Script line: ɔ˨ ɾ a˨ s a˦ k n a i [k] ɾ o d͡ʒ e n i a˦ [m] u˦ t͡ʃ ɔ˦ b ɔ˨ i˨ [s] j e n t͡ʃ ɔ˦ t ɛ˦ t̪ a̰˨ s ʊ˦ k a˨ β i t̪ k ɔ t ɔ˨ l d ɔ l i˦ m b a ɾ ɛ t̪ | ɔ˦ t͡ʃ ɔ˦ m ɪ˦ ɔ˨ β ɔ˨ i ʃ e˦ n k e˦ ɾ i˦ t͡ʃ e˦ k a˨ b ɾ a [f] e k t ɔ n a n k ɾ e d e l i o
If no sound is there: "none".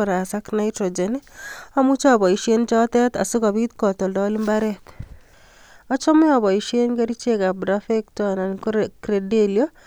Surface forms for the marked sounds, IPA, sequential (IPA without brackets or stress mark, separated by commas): t, m, ʃ, f